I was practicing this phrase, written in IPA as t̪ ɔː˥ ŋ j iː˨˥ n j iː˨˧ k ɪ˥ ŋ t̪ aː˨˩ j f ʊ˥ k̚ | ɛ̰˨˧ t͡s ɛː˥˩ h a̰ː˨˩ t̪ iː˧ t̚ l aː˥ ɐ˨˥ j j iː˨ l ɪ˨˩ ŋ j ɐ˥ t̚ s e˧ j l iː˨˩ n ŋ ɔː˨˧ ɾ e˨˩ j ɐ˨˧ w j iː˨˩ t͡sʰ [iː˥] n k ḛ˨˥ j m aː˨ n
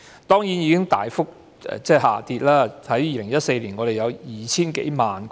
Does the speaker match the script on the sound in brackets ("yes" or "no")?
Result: yes